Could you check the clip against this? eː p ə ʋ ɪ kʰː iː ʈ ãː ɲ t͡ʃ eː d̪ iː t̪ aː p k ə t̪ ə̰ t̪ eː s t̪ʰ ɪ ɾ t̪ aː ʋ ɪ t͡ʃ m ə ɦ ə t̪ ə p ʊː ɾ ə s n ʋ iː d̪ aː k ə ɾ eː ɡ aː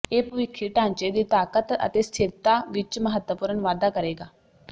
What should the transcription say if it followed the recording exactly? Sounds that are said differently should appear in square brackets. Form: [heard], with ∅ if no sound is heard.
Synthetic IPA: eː p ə ʋ ɪ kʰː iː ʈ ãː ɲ t͡ʃ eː d̪ iː t̪ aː [∅] k ə t̪ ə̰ t̪ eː s t̪ʰ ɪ ɾ t̪ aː ʋ ɪ t͡ʃ m ə ɦ ə t̪ ə p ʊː ɾ ə [∅] n ʋ [aː] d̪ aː k ə ɾ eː ɡ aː